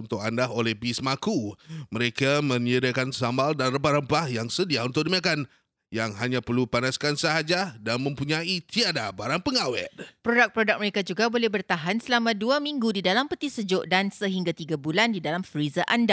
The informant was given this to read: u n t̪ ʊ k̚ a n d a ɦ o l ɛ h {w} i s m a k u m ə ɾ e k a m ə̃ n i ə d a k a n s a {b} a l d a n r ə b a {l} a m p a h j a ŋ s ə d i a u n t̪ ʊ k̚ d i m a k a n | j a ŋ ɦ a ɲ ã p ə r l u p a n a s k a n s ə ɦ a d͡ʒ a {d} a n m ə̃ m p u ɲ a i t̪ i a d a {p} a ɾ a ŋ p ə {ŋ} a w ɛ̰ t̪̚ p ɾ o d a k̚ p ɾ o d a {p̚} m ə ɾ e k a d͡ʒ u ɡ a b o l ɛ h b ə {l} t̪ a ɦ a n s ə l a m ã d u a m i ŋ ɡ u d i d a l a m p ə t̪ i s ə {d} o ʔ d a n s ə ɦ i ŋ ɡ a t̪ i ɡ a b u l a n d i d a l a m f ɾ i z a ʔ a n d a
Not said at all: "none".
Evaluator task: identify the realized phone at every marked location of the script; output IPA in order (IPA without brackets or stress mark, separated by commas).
b, m, ɾ, d, b, ŋ, k̚, r, d͡ʒ